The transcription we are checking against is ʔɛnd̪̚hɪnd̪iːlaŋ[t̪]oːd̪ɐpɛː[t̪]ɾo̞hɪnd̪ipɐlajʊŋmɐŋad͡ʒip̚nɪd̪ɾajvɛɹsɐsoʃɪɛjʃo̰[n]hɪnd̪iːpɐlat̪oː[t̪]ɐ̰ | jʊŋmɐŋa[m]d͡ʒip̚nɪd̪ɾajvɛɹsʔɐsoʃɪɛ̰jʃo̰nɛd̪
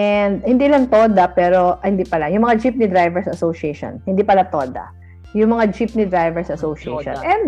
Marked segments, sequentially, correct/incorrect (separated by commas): correct, incorrect, correct, incorrect, incorrect